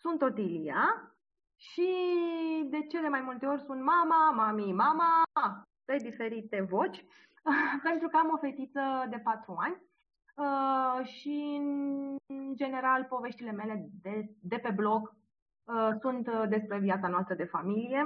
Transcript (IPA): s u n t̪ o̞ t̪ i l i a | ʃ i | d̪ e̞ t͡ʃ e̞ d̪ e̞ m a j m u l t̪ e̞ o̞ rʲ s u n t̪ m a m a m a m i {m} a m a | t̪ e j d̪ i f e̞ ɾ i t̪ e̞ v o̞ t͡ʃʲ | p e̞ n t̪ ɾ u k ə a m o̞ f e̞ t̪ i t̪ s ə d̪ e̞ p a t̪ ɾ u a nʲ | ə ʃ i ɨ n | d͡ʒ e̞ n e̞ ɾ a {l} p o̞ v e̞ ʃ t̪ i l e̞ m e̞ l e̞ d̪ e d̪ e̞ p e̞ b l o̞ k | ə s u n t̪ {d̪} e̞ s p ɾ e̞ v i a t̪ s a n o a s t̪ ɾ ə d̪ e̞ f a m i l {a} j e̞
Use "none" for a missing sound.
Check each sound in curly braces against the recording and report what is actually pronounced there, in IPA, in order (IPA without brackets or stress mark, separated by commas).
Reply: m, l, d̪, i